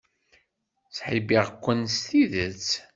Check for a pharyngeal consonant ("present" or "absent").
present